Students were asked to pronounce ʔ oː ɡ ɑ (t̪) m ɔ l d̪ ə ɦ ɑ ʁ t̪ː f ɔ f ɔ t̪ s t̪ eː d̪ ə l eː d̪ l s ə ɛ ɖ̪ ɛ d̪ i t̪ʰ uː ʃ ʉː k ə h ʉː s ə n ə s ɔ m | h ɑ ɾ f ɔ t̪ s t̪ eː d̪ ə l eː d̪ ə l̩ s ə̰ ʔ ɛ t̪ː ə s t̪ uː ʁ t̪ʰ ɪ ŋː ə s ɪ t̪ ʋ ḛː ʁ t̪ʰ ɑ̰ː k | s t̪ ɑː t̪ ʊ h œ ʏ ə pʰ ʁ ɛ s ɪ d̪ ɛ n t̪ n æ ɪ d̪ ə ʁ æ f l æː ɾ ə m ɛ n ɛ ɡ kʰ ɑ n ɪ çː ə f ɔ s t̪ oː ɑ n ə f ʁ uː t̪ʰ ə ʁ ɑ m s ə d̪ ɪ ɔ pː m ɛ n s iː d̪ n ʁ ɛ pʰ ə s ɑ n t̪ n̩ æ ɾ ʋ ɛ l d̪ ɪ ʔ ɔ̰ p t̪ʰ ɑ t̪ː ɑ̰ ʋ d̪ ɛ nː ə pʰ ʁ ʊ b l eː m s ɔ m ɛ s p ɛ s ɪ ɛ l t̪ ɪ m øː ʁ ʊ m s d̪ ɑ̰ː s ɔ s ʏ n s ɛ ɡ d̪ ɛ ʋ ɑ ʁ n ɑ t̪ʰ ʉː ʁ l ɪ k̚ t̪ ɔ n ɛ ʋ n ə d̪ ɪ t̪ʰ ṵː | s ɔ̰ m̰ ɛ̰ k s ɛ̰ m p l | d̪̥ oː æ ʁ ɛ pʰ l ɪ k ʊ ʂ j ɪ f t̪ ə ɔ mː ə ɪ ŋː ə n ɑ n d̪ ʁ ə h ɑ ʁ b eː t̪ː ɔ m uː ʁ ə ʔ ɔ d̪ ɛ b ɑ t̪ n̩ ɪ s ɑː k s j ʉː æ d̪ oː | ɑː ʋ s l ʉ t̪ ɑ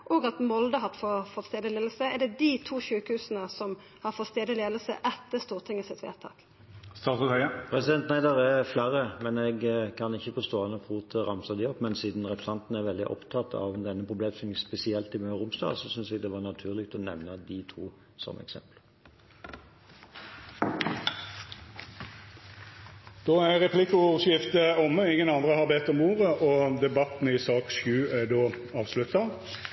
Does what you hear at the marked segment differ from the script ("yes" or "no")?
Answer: no